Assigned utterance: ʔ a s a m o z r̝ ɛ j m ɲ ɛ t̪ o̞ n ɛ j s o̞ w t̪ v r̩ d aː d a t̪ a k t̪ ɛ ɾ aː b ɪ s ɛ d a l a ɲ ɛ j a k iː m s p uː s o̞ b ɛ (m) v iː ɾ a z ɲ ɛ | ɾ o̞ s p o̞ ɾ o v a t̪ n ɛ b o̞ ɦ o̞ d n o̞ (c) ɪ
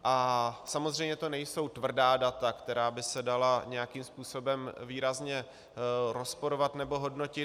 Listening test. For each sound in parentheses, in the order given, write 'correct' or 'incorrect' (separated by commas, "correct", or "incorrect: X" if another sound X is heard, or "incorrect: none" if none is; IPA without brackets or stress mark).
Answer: correct, correct